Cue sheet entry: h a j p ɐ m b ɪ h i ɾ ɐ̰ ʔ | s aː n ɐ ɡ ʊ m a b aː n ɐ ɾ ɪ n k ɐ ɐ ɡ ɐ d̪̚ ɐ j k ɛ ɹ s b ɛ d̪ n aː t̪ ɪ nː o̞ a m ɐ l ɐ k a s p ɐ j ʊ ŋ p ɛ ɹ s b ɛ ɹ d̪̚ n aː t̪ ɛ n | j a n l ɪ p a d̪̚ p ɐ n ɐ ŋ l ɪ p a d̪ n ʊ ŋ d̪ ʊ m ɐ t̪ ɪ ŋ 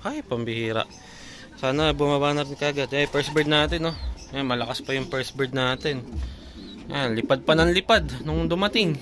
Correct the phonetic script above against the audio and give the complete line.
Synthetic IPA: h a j p ɐ m b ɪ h iː ɾ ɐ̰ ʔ | s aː n ɐ b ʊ m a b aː n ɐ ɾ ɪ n k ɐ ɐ ɡ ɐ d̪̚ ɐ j p ɛ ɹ s b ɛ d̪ n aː t̪ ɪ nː o̞ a m ɐ l ɐ k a s p ɐ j ʊ ŋ p ɛ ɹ s b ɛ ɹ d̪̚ n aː t̪ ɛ n | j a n l ɪ p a d̪̚ p ɐ n ɐ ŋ l ɪ p a d̪ n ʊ ŋ d̪ ʊ m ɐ t̪ ɪ ŋ